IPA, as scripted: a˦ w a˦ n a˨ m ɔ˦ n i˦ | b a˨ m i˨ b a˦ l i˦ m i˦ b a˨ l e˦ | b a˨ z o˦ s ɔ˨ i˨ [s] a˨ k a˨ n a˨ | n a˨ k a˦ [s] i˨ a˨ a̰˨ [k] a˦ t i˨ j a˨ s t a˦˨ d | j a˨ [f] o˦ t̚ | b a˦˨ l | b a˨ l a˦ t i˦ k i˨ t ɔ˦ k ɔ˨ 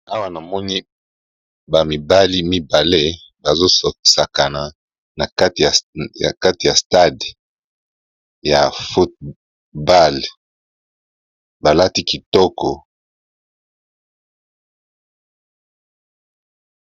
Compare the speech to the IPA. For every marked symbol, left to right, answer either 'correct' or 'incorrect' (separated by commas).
correct, incorrect, correct, correct